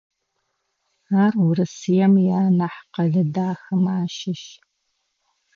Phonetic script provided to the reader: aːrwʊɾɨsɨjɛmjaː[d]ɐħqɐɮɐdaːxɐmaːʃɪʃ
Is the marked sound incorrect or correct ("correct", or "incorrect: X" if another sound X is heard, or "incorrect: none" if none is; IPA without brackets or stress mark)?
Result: incorrect: n